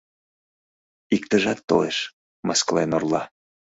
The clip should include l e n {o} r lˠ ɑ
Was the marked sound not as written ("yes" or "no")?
no